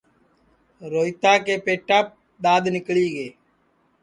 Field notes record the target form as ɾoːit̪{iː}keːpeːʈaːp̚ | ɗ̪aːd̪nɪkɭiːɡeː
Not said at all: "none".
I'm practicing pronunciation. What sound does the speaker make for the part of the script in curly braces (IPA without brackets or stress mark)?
aː